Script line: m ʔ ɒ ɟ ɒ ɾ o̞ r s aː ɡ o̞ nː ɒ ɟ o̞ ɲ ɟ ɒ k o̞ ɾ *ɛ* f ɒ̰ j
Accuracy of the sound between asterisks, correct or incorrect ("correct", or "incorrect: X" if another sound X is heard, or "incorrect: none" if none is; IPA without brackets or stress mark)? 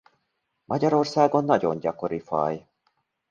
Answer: incorrect: i